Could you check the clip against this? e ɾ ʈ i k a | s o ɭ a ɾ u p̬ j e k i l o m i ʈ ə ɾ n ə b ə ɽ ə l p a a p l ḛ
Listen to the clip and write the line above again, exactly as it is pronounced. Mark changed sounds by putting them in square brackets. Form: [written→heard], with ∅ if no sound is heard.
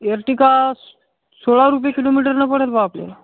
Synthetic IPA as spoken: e ɾ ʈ i k a | s o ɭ a ɾ u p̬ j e k i l o m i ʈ ə ɾ n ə [b→p] ə ɽ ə l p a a p l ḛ